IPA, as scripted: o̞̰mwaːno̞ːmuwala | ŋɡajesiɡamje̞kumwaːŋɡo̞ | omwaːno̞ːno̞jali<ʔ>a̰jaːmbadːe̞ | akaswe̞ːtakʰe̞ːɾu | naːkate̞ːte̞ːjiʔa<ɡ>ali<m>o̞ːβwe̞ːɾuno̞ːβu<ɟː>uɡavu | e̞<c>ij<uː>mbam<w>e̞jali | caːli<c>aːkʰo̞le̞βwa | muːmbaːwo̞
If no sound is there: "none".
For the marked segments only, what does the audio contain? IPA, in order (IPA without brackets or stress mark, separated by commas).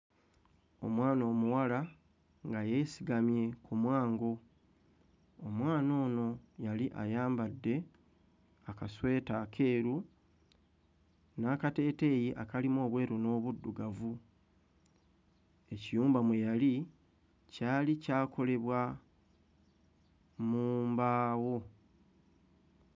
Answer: ʔ, k, m, dː, c, uː, w, c